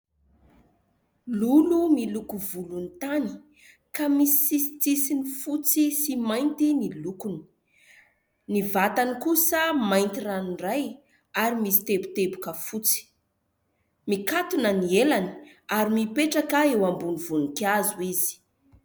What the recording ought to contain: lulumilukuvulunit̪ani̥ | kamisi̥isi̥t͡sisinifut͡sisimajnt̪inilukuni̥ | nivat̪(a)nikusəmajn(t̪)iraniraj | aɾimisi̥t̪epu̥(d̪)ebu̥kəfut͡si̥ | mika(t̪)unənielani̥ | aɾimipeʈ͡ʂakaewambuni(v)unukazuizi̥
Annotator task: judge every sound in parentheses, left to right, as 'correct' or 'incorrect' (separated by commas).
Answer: correct, correct, incorrect, correct, correct